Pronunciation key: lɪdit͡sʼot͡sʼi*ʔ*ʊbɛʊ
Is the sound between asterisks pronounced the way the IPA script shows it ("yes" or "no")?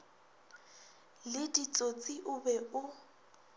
yes